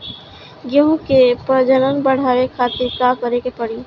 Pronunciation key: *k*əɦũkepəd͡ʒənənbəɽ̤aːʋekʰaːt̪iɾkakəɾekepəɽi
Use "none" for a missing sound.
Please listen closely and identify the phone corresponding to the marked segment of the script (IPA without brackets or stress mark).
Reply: ɡ